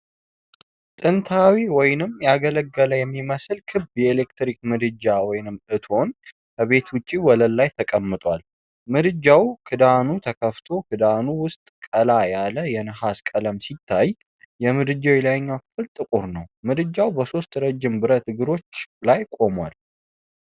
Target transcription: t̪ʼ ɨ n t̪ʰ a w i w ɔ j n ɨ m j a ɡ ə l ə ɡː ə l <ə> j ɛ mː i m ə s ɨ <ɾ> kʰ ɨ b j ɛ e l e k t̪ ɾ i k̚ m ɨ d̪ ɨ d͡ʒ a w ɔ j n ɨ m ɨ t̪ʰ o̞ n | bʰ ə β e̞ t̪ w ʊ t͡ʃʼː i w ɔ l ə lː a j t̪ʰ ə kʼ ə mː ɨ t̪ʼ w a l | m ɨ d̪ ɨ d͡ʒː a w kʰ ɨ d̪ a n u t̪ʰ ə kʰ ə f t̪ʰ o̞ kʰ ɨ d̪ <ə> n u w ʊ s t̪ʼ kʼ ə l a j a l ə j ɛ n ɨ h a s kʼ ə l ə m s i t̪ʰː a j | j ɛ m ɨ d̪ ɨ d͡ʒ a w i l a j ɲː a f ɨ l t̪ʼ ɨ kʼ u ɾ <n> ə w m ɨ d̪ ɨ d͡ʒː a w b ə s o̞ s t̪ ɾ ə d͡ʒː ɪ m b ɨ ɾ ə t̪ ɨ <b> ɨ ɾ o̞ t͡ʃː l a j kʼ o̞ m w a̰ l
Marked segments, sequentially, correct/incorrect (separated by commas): correct, incorrect, incorrect, correct, incorrect